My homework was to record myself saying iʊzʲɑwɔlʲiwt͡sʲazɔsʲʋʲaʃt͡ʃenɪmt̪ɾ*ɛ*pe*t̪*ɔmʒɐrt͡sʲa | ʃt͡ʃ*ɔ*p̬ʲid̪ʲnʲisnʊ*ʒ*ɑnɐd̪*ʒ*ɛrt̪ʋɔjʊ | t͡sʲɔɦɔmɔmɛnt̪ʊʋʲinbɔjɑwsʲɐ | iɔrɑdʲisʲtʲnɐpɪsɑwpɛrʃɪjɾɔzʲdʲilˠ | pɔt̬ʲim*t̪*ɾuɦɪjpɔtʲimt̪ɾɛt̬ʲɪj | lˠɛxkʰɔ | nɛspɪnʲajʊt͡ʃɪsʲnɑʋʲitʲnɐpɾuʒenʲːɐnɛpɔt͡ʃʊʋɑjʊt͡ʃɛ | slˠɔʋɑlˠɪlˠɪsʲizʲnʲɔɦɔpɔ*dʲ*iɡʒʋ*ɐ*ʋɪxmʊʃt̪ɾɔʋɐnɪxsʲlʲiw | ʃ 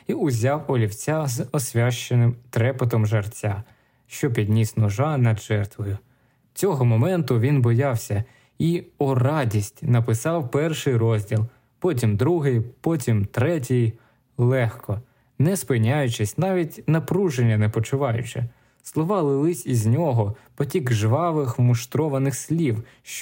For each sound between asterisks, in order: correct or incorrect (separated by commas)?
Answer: correct, correct, correct, correct, correct, incorrect, incorrect, incorrect